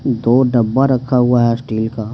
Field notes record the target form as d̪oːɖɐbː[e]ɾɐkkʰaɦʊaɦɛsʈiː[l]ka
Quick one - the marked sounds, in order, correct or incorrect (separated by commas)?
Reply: incorrect, correct